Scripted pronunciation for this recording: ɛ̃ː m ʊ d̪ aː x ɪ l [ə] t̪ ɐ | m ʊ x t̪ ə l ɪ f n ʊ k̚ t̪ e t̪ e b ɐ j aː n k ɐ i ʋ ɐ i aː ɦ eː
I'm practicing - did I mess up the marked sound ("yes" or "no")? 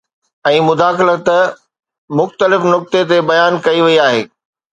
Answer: no